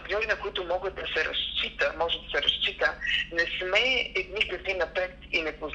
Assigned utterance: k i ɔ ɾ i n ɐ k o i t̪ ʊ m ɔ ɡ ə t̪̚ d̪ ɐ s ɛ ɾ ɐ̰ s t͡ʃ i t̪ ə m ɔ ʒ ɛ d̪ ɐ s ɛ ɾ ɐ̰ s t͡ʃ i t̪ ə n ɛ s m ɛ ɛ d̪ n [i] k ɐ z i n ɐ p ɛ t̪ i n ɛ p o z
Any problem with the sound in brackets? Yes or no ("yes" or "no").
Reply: no